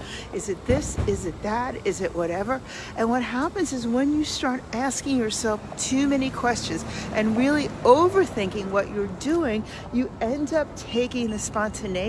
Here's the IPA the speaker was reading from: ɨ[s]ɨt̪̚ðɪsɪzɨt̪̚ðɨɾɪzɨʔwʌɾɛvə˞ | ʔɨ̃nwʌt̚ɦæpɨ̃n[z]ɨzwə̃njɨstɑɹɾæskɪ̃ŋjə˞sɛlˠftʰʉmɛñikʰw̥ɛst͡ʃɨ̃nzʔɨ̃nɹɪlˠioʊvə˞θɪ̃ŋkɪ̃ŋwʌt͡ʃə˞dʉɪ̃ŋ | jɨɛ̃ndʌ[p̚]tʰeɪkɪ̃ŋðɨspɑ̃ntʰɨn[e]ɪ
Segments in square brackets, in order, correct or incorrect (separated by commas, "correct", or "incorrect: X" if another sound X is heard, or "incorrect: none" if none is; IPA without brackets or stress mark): incorrect: z, correct, correct, correct